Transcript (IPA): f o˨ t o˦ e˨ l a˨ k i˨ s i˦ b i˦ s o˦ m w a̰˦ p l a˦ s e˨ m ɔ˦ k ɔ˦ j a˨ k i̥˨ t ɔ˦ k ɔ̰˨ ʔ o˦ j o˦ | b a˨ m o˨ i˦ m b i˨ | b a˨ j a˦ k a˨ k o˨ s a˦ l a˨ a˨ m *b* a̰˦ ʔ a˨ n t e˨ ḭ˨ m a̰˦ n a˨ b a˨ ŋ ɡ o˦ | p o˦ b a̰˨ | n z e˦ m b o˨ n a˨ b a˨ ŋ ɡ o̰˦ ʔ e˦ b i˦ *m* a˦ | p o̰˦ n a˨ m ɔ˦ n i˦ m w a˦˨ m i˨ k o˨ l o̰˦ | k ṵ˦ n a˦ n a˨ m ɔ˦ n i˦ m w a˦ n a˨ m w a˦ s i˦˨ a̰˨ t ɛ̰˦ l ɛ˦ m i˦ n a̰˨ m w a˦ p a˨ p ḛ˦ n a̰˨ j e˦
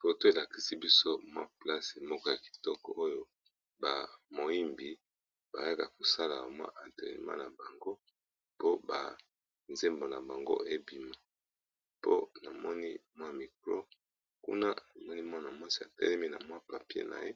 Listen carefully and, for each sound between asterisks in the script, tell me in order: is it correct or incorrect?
incorrect: w, correct

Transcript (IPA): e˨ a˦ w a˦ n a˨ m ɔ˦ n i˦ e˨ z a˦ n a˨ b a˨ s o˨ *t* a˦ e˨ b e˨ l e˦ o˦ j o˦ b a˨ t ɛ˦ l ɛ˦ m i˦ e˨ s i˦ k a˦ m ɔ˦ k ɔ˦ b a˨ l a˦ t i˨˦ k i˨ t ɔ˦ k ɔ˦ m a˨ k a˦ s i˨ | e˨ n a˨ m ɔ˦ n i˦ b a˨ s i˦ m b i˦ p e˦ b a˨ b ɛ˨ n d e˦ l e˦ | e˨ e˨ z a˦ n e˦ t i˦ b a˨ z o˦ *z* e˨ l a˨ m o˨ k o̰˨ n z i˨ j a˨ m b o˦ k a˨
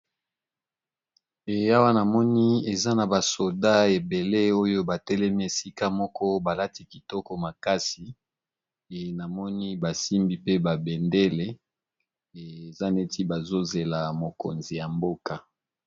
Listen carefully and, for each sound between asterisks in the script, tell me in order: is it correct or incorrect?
incorrect: d, correct

